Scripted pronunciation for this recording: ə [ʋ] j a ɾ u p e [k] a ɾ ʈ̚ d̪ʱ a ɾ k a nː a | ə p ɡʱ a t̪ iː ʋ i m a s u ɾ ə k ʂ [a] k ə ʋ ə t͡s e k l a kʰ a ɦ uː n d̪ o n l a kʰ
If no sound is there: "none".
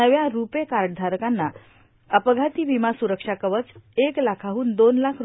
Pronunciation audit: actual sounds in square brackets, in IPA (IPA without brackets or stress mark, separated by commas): ʋ, k, a